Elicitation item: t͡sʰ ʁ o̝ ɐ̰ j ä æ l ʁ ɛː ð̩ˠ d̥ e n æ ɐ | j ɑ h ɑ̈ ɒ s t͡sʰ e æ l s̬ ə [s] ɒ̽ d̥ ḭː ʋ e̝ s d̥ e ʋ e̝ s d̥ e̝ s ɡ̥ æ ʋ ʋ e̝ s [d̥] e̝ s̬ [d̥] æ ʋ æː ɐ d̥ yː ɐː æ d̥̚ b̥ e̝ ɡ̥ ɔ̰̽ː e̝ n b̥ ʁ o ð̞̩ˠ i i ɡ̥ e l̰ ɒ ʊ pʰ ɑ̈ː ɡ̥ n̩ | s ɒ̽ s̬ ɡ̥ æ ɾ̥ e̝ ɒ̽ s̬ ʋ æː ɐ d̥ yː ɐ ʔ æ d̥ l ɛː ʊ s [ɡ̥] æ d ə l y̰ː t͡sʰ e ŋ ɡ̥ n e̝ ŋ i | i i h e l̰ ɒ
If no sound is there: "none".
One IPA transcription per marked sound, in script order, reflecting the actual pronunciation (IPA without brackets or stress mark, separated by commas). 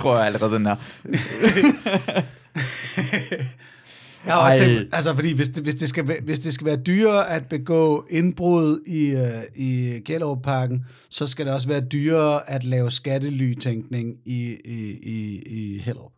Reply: f, d̥, ɡ̥, ɡ̥